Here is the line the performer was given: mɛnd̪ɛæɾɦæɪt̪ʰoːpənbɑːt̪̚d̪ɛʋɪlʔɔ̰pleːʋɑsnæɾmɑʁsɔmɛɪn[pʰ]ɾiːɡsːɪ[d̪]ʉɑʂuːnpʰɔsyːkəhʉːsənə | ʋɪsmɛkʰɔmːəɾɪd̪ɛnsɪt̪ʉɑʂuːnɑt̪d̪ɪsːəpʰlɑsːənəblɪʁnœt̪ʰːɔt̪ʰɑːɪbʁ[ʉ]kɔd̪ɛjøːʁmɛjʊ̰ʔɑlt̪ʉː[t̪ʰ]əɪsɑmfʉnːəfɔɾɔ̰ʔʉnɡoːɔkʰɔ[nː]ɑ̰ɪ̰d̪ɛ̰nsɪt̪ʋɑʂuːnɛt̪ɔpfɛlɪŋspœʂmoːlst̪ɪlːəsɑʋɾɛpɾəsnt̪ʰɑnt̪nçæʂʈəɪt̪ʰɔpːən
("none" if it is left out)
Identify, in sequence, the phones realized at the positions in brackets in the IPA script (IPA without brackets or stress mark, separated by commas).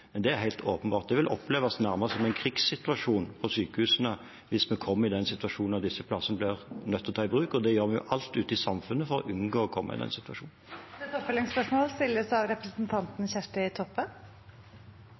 kʰ, t̪, ʉː, t̪, mː